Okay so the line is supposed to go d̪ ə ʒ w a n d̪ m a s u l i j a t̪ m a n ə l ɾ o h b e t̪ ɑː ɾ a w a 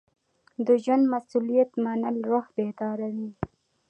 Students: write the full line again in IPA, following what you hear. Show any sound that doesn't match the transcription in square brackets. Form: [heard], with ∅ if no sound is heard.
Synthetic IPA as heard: d̪ ə ʒ w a n d̪ m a s u l i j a t̪ m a n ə l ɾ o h b e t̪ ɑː ɾ a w [i]